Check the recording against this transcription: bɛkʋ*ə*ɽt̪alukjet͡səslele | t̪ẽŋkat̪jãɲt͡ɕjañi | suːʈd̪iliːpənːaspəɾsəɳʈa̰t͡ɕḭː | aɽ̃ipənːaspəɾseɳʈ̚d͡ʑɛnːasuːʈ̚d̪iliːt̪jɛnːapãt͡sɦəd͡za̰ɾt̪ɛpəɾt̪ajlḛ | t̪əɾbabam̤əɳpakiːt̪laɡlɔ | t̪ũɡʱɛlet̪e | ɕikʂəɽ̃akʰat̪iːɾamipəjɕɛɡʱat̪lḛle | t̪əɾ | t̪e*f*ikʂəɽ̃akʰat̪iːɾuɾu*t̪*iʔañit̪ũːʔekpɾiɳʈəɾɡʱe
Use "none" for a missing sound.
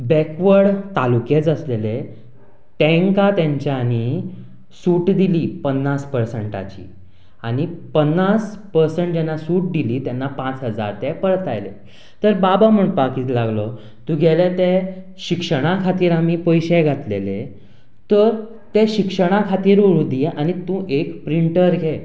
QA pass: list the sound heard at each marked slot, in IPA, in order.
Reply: ə, ɕ, d̪

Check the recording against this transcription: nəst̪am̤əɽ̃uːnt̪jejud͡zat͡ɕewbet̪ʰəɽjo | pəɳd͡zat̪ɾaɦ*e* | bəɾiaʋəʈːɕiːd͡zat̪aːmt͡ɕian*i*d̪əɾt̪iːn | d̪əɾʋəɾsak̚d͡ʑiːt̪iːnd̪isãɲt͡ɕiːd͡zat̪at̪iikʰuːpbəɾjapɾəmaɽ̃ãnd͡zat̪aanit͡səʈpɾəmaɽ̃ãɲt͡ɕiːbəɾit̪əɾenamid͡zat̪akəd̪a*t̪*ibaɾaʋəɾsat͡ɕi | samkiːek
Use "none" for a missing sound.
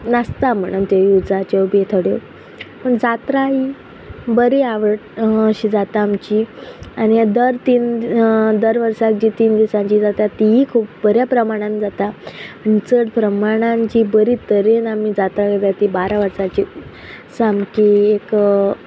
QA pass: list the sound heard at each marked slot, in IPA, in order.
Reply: i, i, t̪

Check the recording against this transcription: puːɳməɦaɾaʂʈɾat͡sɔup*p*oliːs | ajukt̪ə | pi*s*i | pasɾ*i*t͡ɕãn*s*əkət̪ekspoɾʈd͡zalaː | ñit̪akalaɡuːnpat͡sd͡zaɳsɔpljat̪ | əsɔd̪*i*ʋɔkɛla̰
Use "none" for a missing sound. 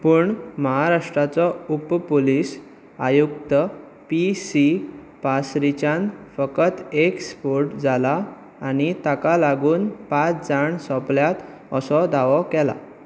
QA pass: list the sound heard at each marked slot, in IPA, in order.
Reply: p, s, i, f, a

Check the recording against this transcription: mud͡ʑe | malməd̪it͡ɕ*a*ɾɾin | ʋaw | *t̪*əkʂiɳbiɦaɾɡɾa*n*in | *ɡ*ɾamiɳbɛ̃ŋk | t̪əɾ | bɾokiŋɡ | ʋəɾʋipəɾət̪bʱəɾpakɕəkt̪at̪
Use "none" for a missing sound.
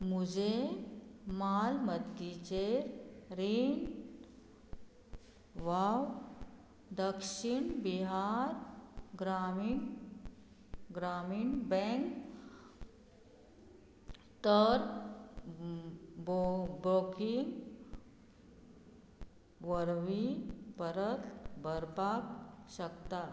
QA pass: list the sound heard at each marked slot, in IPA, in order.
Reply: e, d̪, m, ɡ

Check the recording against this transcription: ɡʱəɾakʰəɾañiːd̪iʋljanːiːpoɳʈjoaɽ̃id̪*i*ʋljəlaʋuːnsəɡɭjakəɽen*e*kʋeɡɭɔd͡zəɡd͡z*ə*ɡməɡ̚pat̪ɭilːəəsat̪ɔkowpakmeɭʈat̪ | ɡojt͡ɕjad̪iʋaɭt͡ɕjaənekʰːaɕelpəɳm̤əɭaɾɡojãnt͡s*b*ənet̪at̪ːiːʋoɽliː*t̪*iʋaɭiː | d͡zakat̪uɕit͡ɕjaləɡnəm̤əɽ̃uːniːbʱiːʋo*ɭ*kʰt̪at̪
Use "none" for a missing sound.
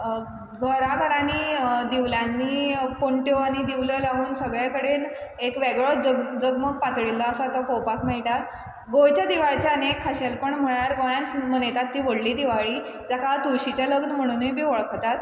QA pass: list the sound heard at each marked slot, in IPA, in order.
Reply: i, e, ə, m, d̪, ɭ

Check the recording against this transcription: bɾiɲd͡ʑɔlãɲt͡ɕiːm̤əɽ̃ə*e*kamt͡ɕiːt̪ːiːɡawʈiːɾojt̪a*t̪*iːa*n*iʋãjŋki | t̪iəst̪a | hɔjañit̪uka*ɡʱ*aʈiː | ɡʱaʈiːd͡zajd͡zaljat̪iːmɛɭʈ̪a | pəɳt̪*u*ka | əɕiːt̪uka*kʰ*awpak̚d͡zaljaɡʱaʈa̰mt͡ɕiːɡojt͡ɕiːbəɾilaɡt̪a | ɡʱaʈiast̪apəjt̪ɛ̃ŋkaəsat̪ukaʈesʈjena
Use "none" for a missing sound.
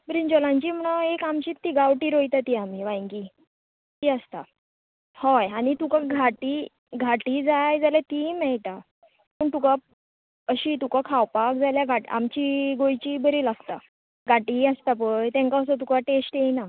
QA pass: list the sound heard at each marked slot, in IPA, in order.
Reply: e, t̪, m, ɡʱ, u, kʰ

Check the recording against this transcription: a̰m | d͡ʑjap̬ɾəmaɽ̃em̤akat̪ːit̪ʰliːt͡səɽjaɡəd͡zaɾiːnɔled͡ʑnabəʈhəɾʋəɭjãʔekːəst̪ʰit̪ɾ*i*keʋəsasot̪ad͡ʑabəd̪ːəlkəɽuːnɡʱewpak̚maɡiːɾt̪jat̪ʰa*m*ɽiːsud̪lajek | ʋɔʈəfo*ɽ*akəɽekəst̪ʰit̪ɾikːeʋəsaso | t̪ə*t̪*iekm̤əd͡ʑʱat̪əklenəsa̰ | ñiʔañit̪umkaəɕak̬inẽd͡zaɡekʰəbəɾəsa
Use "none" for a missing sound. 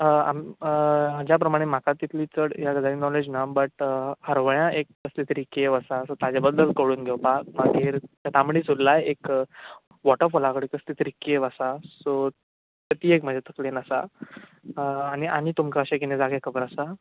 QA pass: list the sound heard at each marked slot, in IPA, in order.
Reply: i, m, l, t̪

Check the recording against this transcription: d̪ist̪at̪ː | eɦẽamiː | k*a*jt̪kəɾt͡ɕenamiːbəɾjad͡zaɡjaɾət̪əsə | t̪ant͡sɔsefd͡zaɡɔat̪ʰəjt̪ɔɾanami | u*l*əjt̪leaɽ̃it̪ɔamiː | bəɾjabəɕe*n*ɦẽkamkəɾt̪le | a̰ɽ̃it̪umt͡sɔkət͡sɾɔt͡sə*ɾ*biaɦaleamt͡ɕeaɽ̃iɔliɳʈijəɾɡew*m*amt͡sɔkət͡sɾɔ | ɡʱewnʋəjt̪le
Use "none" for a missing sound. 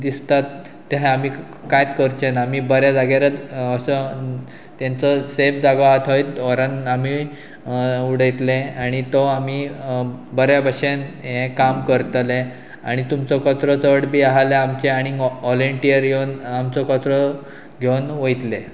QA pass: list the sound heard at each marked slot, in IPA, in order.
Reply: a, ɽ, n, ɽ, n

